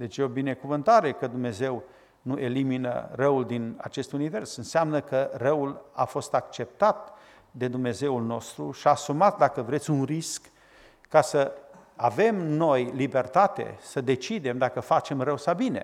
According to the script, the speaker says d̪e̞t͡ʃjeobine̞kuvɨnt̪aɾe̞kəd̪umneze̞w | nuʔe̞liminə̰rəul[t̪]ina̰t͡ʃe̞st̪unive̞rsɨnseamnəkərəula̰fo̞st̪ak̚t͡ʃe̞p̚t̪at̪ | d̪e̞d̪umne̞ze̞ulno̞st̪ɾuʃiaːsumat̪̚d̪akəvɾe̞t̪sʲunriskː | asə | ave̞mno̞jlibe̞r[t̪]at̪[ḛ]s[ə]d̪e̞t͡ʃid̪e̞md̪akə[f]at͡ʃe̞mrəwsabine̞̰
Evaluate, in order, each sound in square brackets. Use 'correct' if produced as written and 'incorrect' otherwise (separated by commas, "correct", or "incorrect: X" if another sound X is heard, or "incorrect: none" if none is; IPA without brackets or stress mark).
incorrect: d̪, correct, correct, correct, correct